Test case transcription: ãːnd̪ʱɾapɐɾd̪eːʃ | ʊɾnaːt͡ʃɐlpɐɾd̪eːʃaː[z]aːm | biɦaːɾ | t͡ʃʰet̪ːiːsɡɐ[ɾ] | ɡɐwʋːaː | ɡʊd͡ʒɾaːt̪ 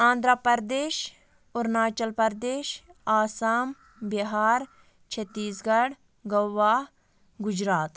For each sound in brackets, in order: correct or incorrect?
incorrect: s, incorrect: ɽ

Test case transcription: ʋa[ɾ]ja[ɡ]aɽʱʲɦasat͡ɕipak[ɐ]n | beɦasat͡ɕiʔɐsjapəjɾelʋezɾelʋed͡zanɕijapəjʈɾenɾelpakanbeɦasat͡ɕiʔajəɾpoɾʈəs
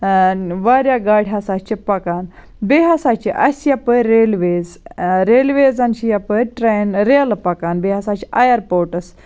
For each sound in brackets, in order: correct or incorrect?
correct, correct, incorrect: a

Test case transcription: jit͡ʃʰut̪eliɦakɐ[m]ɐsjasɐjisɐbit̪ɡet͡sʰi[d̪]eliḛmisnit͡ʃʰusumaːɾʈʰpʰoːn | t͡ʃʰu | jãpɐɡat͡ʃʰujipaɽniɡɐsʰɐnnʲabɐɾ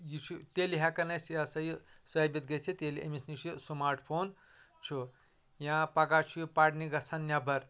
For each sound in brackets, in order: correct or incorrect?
incorrect: n, incorrect: t̪

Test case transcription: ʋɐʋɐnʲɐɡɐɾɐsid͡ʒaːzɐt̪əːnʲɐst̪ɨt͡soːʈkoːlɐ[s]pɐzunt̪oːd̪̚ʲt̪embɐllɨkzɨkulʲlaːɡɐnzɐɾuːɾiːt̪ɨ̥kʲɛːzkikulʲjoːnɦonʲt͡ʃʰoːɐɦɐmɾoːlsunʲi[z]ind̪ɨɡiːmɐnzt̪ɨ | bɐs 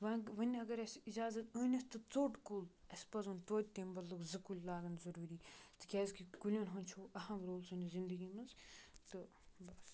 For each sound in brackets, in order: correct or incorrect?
correct, correct

